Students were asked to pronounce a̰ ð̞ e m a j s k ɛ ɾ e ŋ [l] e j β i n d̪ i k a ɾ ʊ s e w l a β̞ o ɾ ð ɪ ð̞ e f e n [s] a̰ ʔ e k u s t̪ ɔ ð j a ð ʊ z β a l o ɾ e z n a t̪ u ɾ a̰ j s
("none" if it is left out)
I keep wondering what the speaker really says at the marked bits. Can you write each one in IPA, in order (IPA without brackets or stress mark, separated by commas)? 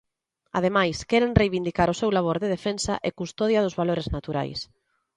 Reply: r, s